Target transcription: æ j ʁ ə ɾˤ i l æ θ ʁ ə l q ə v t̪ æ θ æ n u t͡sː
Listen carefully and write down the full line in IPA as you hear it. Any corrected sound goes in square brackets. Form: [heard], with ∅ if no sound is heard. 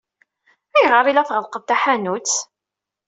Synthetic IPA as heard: æ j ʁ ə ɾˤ i l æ θ ʁ ə l q ə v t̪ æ [ħ] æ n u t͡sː